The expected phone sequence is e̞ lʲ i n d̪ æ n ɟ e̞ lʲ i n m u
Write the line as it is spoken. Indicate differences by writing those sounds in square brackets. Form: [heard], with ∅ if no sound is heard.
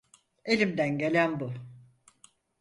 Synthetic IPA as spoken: e̞ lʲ i [m] d̪ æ n ɟ e̞ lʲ [æ] n [b] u